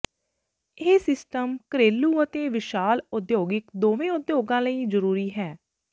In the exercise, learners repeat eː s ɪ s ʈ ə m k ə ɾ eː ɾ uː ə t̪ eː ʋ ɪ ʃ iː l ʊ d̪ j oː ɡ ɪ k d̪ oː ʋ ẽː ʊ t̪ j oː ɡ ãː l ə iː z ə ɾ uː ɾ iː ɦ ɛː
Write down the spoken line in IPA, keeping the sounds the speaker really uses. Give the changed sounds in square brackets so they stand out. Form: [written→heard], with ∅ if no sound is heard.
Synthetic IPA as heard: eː s ɪ s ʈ ə m k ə ɾ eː [ɾ→l] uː ə t̪ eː ʋ ɪ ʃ [iː→aː] l ʊ d̪ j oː ɡ ɪ k d̪ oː ʋ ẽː ʊ [t̪→d̪] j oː ɡ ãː l ə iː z ə ɾ uː ɾ iː ɦ ɛː